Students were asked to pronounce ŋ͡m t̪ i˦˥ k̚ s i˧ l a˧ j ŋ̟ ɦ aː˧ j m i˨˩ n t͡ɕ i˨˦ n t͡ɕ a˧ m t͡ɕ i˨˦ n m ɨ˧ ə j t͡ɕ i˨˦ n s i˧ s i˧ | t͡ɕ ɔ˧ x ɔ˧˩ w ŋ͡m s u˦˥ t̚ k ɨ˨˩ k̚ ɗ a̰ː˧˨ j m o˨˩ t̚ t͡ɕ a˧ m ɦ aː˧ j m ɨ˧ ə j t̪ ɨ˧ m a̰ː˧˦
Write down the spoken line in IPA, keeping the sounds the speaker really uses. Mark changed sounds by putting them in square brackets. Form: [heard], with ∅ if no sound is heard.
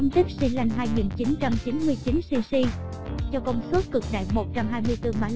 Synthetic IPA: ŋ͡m t̪ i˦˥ k̚ s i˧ l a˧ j ŋ̟ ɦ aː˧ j [ŋ] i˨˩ n t͡ɕ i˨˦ n t͡ɕ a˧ m t͡ɕ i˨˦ n m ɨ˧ ə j t͡ɕ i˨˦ n s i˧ s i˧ | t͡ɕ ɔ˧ [k] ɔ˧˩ w ŋ͡m s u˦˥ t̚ k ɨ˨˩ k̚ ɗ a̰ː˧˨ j m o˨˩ t̚ t͡ɕ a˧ m ɦ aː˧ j m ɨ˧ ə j t̪ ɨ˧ m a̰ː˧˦

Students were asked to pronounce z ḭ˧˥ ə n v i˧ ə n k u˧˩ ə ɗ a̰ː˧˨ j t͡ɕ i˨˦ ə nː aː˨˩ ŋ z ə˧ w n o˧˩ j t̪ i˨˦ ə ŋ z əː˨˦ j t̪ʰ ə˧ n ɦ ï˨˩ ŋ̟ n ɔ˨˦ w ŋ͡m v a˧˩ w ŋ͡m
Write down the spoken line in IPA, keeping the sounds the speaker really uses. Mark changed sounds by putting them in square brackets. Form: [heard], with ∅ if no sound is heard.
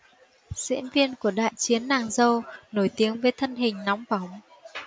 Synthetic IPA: z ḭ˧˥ ə n v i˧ ə n k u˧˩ ə ɗ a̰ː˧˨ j t͡ɕ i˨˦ ə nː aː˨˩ ŋ z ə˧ w n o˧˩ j t̪ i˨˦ ə ŋ [v] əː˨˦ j t̪ʰ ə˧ n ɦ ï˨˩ ŋ̟ n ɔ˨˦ w ŋ͡m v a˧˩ w ŋ͡m

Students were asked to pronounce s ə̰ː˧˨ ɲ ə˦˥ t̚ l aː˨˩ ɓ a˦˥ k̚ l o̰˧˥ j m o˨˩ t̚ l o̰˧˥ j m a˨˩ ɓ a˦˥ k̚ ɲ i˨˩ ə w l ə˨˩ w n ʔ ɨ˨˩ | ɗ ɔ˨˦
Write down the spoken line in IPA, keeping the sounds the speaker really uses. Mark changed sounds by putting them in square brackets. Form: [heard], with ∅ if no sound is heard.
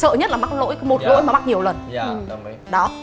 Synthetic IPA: s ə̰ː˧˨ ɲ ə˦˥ t̚ l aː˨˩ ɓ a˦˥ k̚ l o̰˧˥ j m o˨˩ t̚ l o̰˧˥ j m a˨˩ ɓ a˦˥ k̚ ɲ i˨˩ ə w l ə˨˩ [∅] n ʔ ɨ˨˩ | ɗ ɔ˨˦

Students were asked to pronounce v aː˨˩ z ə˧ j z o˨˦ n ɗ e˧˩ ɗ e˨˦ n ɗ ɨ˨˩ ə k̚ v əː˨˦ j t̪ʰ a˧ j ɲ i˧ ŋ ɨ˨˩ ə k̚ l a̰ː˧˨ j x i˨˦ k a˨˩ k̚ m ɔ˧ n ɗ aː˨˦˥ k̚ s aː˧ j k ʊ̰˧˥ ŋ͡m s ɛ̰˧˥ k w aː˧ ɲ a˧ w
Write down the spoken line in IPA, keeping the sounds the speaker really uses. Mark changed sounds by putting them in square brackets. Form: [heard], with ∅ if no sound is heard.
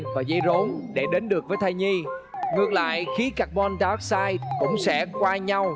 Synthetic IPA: v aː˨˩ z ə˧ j z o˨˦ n ɗ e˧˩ ɗ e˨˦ n ɗ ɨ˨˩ ə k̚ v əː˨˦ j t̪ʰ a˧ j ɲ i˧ ŋ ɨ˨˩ ə k̚ l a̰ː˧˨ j x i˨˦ k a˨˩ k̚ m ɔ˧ n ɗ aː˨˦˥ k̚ s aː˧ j k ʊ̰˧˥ ŋ͡m s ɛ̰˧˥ k w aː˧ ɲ a˧ w

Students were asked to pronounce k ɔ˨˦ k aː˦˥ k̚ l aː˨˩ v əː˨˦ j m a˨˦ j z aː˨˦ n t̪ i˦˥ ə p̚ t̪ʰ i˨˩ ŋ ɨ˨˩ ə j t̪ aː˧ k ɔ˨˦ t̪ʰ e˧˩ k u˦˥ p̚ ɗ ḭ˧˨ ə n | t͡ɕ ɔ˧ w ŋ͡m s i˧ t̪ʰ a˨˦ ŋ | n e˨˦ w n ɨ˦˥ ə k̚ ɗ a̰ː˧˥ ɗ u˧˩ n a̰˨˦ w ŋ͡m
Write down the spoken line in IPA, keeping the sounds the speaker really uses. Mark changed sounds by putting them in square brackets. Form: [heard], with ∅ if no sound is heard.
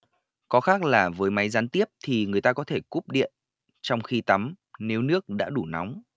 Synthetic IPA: k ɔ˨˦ [x] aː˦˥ k̚ l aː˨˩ v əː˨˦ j m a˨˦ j z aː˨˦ n t̪ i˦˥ ə p̚ t̪ʰ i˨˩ ŋ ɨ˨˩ ə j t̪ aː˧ k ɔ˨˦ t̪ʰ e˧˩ k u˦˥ p̚ ɗ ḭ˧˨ ə n | t͡ɕ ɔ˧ w ŋ͡m [x] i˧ [t̪] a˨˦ [m] | n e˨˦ w n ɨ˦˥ ə k̚ ɗ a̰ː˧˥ ɗ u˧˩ n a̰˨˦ w ŋ͡m

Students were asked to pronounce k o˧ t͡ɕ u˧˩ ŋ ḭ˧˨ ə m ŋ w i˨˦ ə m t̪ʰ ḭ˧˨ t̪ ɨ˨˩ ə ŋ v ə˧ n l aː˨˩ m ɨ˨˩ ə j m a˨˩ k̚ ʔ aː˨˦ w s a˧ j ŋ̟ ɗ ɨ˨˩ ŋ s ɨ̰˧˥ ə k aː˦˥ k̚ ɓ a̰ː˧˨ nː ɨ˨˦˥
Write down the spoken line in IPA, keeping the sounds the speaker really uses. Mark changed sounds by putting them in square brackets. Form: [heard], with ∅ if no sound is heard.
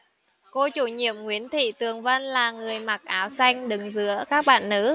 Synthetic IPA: k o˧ t͡ɕ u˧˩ [ɲ] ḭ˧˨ ə m ŋ w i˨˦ ə [n] t̪ʰ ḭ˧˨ t̪ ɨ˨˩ ə ŋ v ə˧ n l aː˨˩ [ŋ] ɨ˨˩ ə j m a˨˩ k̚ ʔ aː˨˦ w s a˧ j ŋ̟ ɗ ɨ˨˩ ŋ [z] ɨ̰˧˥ ə k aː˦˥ k̚ ɓ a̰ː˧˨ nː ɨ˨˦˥

